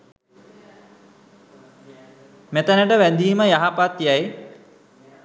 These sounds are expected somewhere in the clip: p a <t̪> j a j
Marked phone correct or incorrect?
correct